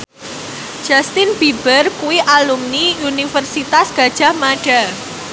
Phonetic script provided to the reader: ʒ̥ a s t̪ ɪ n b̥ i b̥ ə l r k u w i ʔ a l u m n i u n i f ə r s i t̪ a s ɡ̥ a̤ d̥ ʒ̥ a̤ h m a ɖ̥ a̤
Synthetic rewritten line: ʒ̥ a s t̪ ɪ n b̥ i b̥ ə r k u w i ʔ a l u m n i u n i f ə r s i t̪ a s ɡ̥ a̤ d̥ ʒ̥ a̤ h m a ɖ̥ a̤